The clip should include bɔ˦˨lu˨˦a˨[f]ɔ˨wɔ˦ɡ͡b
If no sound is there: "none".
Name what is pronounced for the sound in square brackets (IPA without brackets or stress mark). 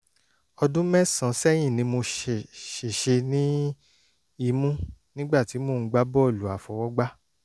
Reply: f